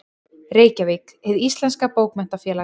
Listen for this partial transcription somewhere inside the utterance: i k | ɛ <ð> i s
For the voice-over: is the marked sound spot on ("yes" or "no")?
yes